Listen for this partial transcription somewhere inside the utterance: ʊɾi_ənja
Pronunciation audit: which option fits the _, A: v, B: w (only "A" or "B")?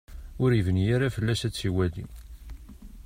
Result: A